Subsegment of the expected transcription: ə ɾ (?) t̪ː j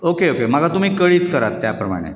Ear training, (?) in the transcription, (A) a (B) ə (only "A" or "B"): A